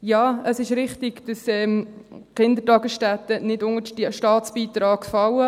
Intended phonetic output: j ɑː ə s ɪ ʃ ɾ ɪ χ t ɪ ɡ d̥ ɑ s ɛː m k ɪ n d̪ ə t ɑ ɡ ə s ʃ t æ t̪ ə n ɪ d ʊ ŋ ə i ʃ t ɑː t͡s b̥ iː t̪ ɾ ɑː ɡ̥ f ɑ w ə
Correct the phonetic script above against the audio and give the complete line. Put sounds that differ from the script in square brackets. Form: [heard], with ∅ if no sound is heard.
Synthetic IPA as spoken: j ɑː ə s ɪ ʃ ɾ ɪ χ t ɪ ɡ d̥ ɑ s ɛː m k ɪ n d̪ ə t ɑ ɡ ə s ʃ t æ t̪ ə n ɪ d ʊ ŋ ə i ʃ t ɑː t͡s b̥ iː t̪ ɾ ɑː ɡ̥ f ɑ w ə